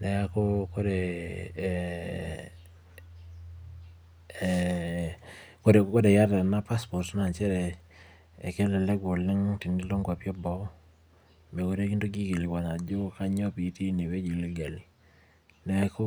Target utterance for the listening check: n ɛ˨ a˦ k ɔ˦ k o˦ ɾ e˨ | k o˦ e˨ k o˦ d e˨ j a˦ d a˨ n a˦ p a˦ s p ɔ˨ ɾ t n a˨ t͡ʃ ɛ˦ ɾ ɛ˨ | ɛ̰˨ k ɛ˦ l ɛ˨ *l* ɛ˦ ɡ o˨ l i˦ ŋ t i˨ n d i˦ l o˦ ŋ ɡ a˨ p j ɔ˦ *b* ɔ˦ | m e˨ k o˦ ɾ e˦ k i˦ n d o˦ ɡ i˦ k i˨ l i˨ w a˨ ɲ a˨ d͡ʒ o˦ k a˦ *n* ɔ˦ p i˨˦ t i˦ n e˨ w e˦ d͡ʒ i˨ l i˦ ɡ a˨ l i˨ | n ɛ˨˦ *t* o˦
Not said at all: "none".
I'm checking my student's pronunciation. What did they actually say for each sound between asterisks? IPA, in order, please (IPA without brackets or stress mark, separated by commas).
l, b, ɲ, k